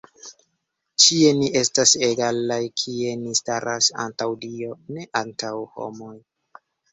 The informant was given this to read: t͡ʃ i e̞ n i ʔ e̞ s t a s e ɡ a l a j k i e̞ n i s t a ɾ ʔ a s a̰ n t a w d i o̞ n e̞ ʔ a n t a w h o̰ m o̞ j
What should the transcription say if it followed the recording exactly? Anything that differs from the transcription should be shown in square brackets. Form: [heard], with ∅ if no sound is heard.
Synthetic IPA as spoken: t͡ʃ i e̞ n i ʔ e̞ s t a s e ɡ a l a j [kʰ] i e̞ n i s t a ɾ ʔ a s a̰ n t a w d i o̞ n e̞ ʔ a n t a w h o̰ m o̞ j